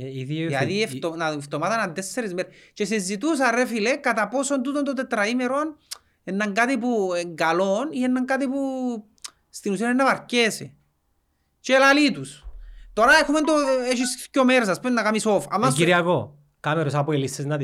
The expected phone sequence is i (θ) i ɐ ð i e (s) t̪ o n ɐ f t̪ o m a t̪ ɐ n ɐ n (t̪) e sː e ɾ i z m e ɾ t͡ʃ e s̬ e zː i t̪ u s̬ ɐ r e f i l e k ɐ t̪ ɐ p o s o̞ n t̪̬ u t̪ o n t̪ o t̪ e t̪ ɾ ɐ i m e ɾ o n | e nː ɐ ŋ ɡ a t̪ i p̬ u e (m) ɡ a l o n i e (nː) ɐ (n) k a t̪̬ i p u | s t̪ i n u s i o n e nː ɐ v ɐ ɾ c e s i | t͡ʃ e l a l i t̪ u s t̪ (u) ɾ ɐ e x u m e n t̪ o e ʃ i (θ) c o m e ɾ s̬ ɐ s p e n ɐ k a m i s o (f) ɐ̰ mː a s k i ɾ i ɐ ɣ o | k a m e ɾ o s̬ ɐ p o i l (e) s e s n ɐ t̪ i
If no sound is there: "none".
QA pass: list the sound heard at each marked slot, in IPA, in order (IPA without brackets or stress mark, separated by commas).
ð, f, d̪, ŋ, nː, ŋ, o, s, f, i